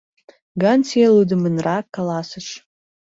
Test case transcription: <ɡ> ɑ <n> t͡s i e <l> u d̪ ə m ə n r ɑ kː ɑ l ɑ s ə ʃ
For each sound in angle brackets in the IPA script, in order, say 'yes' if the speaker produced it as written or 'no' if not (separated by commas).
yes, yes, yes